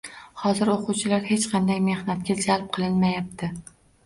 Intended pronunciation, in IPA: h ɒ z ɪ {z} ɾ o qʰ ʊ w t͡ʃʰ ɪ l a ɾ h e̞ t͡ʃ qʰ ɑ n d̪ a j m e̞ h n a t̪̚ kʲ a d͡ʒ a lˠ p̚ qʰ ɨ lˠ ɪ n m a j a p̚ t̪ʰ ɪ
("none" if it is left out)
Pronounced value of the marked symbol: none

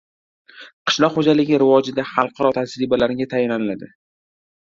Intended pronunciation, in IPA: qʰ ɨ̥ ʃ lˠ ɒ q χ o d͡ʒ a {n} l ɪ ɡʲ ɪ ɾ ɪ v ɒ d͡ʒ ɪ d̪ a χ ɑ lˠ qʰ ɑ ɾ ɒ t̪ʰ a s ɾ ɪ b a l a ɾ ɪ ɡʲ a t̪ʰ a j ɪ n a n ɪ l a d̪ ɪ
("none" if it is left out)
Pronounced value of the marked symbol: none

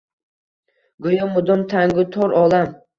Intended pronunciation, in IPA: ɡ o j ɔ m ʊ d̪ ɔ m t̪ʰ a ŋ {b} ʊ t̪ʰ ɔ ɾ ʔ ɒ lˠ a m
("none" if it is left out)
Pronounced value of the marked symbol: ɡ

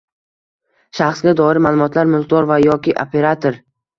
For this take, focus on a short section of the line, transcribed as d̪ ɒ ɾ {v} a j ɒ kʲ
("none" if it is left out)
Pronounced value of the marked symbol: v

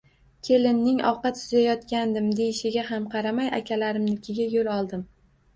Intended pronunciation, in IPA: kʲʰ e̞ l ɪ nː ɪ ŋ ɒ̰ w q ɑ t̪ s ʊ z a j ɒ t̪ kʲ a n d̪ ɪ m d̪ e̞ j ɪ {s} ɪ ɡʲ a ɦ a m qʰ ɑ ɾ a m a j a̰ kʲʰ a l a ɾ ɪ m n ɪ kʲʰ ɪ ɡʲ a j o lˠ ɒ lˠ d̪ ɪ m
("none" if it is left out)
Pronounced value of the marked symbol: ʃ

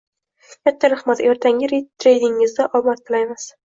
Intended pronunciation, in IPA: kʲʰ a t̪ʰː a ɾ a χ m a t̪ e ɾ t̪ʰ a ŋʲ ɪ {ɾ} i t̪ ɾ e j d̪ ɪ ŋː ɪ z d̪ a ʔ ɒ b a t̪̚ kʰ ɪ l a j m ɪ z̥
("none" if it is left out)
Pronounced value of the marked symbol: ɾ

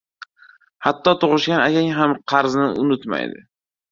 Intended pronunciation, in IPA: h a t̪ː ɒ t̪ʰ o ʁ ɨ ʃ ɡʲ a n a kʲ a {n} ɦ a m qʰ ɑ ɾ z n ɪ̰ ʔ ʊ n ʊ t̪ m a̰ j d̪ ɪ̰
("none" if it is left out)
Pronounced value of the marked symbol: ŋ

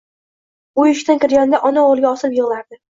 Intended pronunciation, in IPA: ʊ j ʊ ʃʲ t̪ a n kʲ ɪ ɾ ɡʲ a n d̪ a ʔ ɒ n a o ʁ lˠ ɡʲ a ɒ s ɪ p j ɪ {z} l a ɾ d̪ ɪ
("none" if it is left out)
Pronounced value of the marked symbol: ʁ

